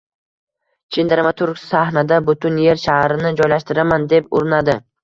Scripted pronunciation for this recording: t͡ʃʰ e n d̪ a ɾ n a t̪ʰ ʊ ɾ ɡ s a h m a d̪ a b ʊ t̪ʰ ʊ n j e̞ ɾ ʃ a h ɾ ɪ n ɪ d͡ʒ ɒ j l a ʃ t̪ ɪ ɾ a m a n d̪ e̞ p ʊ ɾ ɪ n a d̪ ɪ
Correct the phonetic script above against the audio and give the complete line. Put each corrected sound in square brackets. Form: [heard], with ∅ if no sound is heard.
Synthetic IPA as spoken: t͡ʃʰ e n d̪ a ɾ [m] a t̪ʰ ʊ ɾ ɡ s a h [n] a d̪ a b ʊ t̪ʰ ʊ n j e̞ ɾ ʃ a h ɾ ɪ n ɪ d͡ʒ ɒ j l a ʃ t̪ ɪ ɾ a m a n d̪ e̞ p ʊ ɾ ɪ n a d̪ ɪ